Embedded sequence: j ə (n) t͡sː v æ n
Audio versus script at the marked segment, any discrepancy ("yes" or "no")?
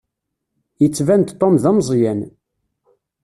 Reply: yes